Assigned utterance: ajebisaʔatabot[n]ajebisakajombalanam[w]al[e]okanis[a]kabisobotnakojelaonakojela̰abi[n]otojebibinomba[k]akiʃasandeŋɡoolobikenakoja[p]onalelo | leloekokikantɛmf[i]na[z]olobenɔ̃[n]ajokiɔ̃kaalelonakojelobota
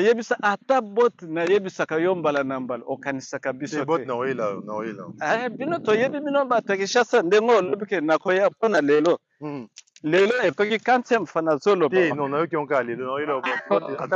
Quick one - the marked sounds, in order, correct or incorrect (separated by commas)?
correct, incorrect, incorrect, correct, correct, incorrect, correct, incorrect, correct, correct